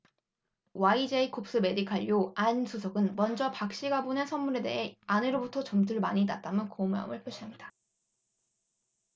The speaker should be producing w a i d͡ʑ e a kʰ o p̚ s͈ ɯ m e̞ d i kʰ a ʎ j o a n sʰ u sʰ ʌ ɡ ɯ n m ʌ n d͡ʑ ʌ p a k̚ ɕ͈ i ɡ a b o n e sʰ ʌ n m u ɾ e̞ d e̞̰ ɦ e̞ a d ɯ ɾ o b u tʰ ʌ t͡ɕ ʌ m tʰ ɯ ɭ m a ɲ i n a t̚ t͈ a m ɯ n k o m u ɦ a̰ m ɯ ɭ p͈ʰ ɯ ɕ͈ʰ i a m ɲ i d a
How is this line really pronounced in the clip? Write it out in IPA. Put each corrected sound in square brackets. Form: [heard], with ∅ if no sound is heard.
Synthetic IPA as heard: w a i d͡ʑ e [i] kʰ o p̚ s͈ ɯ m e̞ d i kʰ a ʎ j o a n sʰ u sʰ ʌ ɡ ɯ n m ʌ n d͡ʑ ʌ p a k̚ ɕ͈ i ɡ a b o n e sʰ ʌ n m u ɾ e̞ d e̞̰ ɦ e̞ a [n] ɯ ɾ o b u tʰ ʌ t͡ɕ ʌ m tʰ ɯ ɭ m a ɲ i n a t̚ t͈ a m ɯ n k o m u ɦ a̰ m ɯ ɭ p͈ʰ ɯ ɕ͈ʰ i a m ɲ i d a